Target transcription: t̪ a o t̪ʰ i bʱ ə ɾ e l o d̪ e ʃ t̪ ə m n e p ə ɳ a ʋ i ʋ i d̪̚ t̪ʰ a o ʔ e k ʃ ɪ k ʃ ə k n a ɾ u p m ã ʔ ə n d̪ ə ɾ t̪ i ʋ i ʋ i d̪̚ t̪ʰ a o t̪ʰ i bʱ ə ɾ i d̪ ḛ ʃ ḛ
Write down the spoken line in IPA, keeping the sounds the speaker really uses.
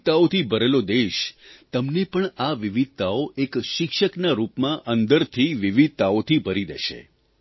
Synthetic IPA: t̪ a o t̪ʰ i bʱ ə ɾ e l o d̪ e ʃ t̪ ə m n e p ə ɳ a ʋ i ʋ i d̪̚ t̪ a o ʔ e k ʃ ɪ k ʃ ə k n a ɾ u p m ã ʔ ə n d̪ ə ɾ t̪ʰ i ʋ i ʋ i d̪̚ t̪ a o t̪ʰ i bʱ ə ɾ i d̪ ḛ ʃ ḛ